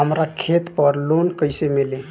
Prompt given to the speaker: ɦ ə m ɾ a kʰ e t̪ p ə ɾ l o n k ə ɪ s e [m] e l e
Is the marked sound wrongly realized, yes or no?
no